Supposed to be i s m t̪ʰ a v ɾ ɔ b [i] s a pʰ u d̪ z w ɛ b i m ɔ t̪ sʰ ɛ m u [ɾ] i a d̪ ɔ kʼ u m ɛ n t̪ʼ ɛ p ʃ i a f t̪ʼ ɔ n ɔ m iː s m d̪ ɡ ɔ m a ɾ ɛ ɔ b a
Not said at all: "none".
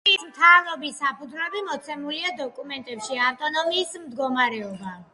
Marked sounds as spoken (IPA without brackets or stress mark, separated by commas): i, l